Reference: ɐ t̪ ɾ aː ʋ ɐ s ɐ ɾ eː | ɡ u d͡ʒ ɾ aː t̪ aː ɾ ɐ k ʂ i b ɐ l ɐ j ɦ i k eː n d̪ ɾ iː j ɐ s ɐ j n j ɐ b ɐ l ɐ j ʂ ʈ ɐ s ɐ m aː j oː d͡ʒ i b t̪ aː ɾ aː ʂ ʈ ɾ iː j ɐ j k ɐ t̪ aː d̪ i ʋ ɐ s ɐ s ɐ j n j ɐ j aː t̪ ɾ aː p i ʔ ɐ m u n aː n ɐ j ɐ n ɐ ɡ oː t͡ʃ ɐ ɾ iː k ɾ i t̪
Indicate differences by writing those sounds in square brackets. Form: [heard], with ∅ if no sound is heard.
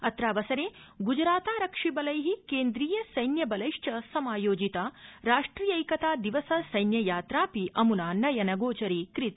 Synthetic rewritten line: ɐ t̪ ɾ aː ʋ ɐ s ɐ ɾ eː | ɡ u d͡ʒ ɾ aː t̪ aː ɾ ɐ k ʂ i b ɐ l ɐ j ɦ i k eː n d̪ ɾ iː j ɐ s ɐ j n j ɐ b ɐ l ɐ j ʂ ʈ ɐ s ɐ m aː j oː d͡ʒ i [∅] t̪ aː ɾ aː ʂ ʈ ɾ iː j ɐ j k ɐ t̪ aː d̪ i ʋ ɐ s ɐ s ɐ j n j ɐ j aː t̪ ɾ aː p i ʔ ɐ m u n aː n ɐ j ɐ n ɐ ɡ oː t͡ʃ ɐ ɾ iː k ɾ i t̪